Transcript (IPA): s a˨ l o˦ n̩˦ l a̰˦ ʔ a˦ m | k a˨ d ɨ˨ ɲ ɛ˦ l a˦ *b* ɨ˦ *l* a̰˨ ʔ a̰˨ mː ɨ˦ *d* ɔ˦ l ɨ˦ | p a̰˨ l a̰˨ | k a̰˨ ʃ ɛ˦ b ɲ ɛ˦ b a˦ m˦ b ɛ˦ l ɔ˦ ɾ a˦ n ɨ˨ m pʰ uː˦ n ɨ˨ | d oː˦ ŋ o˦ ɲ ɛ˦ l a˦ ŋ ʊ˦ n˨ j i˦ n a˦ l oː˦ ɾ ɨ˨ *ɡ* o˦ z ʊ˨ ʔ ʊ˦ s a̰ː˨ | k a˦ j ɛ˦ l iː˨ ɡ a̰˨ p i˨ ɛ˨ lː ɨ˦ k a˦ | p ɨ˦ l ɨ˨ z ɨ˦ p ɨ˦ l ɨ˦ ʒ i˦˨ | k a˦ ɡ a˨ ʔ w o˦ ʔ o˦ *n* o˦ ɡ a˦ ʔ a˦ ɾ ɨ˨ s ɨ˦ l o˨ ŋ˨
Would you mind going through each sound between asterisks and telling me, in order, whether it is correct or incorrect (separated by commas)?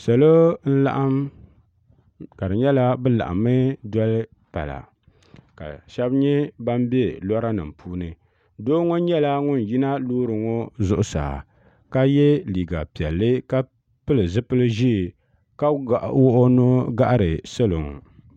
correct, correct, correct, incorrect, correct